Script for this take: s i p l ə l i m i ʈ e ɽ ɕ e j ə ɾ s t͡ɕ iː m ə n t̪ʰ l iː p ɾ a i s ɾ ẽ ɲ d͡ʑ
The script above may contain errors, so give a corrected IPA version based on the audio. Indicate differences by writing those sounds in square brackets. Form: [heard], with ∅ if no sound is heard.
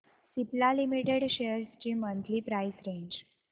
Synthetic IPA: s i p l [a] l i m i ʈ e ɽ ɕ e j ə ɾ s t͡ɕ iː m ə n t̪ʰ l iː p ɾ a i s ɾ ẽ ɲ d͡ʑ